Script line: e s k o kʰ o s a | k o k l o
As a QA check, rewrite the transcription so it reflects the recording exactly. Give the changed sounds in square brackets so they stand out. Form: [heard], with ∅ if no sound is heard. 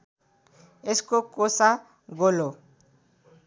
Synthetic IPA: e s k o [k] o s a | [ɡ] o [∅] l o